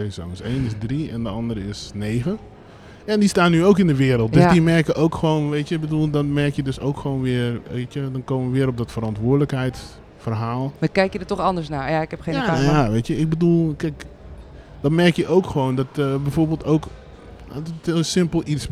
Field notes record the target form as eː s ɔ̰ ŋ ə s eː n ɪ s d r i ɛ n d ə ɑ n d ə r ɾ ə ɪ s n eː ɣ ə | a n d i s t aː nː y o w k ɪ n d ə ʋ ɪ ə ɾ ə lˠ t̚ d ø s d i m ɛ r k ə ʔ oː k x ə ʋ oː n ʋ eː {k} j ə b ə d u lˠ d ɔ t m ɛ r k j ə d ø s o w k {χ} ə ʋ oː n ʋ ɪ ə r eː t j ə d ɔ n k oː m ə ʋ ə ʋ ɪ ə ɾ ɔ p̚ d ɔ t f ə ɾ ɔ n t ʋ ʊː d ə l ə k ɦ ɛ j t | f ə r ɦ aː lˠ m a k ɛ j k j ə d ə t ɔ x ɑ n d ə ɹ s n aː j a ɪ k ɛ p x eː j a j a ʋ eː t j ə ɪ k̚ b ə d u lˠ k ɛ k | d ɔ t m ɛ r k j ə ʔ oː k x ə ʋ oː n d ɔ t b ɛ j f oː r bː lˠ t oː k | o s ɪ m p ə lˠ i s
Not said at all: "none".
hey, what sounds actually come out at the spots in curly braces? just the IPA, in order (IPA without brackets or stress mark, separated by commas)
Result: t, x